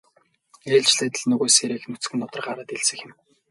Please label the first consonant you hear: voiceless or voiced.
voiced